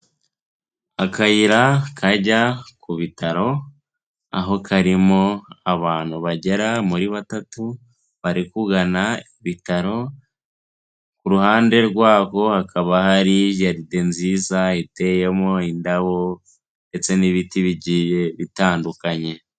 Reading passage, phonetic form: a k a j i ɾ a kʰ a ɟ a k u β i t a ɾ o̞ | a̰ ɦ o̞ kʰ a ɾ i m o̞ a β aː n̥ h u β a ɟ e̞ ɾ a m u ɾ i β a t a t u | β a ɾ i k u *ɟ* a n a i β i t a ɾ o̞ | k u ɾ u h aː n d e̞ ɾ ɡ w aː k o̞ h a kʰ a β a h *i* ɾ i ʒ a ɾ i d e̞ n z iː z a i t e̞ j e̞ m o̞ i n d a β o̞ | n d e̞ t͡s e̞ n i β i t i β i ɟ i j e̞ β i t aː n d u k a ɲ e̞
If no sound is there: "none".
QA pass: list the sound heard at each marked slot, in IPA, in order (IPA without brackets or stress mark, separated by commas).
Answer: ɡ, a